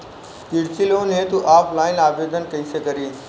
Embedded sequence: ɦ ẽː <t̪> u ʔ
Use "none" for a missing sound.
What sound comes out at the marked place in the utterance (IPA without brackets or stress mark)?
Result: t̪